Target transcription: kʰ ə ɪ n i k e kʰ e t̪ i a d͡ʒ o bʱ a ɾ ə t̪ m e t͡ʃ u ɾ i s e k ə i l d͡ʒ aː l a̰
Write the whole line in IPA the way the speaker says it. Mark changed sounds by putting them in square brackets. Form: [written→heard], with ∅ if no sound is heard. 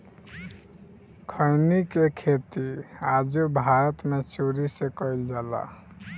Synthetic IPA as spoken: kʰ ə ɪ n i k e kʰ e t̪ i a d͡ʒ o bʱ a ɾ ə t̪ m e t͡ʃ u ɾ i s e k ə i l d͡ʒ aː l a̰